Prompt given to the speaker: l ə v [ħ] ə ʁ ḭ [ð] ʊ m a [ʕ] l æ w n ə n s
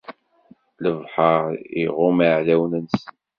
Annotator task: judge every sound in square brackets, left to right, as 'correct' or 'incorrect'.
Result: correct, incorrect: ʁ, correct

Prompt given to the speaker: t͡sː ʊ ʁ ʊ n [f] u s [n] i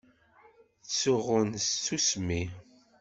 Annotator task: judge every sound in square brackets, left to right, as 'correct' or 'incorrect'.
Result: incorrect: s, incorrect: m

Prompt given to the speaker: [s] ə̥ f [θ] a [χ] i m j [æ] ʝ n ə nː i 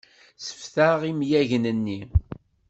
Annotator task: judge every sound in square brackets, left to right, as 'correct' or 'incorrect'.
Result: correct, correct, incorrect: ʁ, correct

